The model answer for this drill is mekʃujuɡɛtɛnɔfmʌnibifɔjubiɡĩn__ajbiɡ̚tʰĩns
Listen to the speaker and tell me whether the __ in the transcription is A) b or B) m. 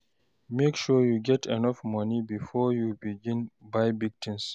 A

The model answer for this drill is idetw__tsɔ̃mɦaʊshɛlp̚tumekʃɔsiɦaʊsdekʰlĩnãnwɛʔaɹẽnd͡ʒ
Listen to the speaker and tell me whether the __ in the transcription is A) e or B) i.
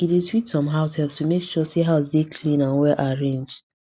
B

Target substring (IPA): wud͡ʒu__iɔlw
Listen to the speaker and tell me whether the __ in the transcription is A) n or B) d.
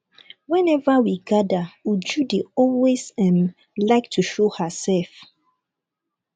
B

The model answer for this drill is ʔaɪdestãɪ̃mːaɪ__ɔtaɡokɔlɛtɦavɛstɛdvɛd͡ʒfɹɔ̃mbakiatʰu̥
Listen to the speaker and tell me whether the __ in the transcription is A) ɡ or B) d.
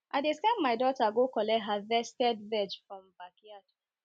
B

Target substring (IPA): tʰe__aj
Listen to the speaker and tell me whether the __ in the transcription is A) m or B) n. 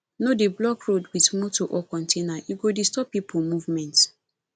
B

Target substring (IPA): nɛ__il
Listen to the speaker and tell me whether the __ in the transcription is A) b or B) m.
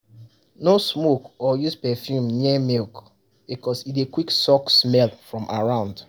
B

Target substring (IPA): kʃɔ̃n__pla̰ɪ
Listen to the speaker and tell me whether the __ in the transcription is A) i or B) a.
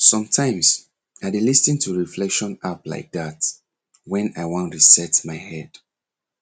B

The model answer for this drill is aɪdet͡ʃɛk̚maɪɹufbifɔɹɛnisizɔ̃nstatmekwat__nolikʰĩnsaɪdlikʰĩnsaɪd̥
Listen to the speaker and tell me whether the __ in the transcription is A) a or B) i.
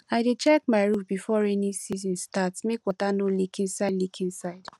A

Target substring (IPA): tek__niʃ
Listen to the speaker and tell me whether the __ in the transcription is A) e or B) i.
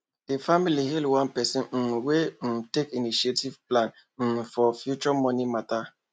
B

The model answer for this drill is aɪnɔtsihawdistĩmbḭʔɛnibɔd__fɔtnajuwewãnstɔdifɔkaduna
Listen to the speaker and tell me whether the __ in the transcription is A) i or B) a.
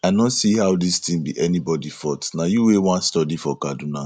A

